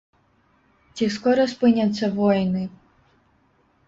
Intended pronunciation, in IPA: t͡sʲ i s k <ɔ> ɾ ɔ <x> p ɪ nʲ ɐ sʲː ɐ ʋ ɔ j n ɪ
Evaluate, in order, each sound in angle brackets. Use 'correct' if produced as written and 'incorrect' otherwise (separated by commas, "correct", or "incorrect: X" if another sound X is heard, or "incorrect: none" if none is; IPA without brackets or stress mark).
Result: correct, incorrect: s